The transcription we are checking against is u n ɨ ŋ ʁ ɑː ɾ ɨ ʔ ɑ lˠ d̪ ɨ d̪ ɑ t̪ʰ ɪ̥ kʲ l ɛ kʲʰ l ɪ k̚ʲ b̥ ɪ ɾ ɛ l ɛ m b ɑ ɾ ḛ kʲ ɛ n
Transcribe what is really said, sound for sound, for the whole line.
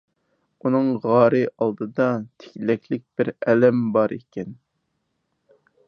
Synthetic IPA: u n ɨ ŋ ʁ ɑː ɾ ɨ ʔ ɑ lˠ d̪ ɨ d̪ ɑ t̪ʰ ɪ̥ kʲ l ɛ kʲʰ l ɪ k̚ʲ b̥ ɪ ɾ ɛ l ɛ m b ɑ ɾ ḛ kʲ ɛ n